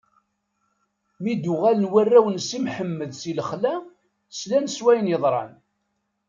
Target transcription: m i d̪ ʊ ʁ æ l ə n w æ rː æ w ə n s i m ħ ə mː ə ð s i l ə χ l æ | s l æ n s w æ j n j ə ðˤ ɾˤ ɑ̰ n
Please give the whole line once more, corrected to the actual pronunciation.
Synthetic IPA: m i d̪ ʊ ʁ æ l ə n w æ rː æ w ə n s i m ħ ə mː ə ð s i l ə χ l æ | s l æ n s w æ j n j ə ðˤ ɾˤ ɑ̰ n